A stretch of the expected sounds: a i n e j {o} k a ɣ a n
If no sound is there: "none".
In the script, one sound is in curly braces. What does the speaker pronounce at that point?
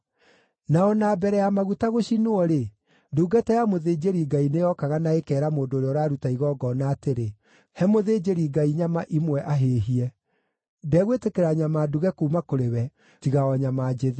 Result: ɔ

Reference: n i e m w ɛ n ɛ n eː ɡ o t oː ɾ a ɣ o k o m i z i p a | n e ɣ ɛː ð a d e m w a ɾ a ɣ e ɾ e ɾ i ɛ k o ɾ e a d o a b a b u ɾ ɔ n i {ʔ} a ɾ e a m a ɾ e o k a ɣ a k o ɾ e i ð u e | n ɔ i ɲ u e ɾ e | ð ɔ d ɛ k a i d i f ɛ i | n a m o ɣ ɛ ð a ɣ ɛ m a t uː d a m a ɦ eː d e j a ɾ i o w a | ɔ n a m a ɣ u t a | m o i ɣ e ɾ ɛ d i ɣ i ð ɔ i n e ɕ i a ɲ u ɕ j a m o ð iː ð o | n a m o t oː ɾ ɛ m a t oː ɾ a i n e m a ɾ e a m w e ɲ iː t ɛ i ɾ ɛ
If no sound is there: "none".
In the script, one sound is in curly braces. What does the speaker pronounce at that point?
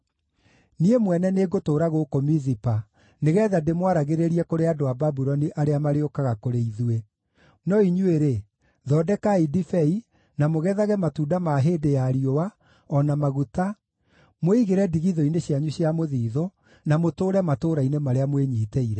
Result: ʔ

